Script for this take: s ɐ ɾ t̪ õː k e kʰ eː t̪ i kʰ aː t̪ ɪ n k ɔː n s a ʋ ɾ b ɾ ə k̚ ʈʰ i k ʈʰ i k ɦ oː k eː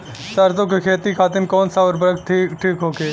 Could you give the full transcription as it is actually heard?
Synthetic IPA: s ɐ ɾ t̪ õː k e kʰ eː t̪ i kʰ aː t̪ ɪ n k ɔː n s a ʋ ɾ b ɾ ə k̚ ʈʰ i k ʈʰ iː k ɦ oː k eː